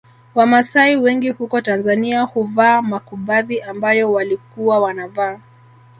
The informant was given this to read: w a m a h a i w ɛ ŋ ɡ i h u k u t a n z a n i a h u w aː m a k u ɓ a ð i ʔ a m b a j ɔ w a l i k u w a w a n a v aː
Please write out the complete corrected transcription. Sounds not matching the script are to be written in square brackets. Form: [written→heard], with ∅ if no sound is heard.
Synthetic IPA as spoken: w a m a [h→s] a i w ɛ ŋ ɡ i h u k [u→ɔ] t a n z a n i a h u [w→v] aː m a k u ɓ a ð i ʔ a m b a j ɔ w a l i k u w a w a n a v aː